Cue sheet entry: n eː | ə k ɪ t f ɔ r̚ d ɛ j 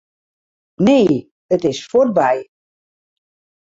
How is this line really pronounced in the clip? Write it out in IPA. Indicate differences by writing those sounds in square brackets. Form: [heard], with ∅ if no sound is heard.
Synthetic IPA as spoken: n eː | ə [t] ɪ [s] f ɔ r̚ [b] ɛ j